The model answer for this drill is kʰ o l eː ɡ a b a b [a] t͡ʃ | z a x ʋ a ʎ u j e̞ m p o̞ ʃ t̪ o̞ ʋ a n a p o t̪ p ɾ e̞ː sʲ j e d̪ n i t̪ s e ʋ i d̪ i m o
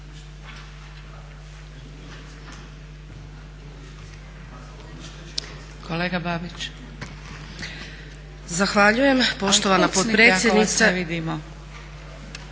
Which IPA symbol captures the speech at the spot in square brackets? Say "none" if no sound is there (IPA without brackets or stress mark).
i